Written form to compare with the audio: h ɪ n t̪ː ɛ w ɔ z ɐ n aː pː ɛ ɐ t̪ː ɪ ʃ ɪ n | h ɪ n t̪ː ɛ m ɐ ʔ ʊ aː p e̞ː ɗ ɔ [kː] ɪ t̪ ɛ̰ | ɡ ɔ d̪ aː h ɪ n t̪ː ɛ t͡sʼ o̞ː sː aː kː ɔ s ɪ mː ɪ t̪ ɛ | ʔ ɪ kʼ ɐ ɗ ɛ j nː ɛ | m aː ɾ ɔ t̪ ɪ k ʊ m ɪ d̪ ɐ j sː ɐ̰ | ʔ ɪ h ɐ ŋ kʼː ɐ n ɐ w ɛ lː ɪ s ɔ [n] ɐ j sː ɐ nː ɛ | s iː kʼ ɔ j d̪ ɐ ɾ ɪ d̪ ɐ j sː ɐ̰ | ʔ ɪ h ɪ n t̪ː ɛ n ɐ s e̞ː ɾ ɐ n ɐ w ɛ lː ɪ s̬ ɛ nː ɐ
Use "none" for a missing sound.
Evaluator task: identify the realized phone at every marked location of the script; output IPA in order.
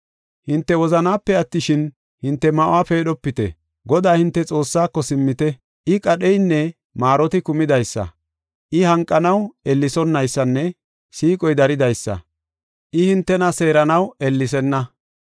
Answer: pː, nː

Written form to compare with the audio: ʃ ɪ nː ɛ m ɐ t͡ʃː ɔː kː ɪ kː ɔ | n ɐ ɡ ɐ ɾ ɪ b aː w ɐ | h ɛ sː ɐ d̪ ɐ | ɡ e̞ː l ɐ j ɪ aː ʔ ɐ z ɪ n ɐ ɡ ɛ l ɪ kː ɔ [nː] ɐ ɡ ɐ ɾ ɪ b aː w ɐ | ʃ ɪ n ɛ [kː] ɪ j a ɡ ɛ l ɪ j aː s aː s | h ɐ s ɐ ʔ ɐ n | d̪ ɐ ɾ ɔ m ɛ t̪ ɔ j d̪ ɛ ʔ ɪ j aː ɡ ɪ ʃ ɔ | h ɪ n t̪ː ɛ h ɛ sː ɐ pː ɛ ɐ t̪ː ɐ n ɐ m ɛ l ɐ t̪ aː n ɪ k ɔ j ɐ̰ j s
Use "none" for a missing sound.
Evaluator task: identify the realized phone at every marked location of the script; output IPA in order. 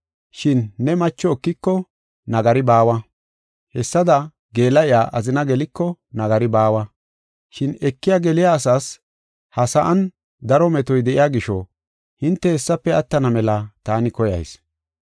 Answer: n, kː

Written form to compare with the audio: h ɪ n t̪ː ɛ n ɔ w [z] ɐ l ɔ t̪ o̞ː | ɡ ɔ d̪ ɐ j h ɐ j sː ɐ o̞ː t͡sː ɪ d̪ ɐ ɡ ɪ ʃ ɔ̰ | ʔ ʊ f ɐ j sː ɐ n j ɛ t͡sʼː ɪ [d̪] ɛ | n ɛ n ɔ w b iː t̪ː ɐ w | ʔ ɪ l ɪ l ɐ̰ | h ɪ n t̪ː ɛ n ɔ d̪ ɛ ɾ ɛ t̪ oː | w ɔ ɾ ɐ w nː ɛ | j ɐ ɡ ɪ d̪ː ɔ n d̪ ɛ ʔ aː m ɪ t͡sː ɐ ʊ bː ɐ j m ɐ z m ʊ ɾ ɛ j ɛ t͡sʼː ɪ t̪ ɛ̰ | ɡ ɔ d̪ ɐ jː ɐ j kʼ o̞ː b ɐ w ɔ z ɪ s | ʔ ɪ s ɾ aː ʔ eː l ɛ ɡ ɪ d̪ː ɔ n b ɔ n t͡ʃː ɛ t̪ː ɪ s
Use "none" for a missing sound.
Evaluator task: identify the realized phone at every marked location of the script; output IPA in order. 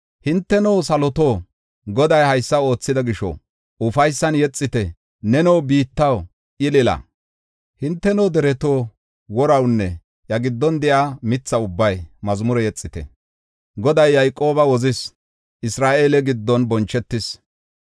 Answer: s, t̪

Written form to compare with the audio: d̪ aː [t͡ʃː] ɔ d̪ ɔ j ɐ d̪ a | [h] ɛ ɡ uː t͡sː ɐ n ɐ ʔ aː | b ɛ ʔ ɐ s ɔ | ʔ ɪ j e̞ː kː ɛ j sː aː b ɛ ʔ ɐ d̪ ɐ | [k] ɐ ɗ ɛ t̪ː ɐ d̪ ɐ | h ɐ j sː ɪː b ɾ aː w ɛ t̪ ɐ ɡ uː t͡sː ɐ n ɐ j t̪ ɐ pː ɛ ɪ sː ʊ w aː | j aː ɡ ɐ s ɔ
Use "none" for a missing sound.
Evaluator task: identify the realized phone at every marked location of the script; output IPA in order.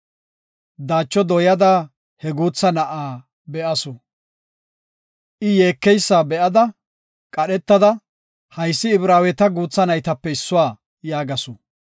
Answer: t͡ʃː, h, kʼ

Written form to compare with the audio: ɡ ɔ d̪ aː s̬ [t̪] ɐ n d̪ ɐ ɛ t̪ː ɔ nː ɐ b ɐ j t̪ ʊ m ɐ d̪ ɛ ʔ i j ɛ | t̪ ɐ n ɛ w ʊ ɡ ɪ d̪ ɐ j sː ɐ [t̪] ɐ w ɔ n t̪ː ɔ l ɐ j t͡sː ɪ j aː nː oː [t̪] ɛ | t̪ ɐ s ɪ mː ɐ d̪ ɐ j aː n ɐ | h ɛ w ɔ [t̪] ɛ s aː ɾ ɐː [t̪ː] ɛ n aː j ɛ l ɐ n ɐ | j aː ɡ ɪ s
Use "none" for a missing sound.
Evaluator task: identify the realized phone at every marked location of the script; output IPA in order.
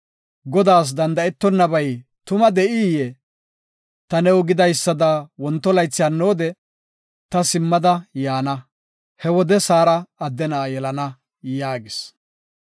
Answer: d̪, d̪, d̪, d̪, d̪ː

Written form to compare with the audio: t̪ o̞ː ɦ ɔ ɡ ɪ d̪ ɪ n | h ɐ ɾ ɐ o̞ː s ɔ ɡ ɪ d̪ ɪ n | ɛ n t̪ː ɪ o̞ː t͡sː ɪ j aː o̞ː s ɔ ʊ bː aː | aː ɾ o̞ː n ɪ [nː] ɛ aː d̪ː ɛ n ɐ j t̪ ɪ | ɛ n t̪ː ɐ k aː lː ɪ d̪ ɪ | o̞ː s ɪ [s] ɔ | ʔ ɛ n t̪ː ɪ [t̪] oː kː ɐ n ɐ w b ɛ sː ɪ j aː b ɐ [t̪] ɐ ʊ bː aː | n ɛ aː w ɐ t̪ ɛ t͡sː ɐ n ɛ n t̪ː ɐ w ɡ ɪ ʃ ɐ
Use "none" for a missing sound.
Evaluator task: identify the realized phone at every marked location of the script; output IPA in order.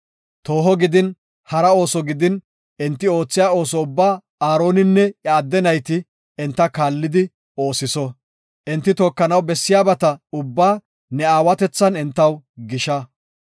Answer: nː, s, t̪, t̪

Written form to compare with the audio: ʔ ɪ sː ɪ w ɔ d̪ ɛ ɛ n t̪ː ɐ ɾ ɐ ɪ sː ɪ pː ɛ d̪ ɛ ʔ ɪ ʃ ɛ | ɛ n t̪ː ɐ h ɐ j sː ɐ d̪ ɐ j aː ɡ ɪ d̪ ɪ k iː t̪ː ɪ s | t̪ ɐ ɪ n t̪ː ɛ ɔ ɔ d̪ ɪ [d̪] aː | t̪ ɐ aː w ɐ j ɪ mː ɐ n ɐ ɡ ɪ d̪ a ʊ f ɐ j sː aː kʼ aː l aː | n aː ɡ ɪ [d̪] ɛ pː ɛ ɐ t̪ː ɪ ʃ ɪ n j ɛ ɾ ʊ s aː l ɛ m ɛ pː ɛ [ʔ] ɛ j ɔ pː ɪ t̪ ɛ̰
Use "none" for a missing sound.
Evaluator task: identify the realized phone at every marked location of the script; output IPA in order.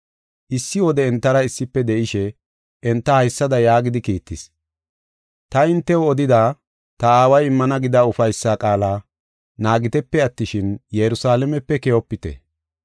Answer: d̪, t̪, k

